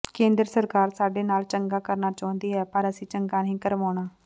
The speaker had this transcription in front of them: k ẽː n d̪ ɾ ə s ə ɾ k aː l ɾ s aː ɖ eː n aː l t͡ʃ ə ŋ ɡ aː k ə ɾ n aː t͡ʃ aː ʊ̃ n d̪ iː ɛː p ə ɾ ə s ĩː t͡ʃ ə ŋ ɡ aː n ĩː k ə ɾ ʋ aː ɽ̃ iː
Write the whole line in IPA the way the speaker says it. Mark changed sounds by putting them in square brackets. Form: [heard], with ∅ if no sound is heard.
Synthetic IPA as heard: k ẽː n d̪ ɾ ə s ə ɾ k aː [∅] ɾ s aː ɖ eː n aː l t͡ʃ ə ŋ ɡ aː k ə ɾ n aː t͡ʃ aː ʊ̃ n d̪ iː ɛː p ə ɾ ə s ĩː t͡ʃ ə ŋ ɡ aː n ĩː k ə ɾ ʋ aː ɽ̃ [aː]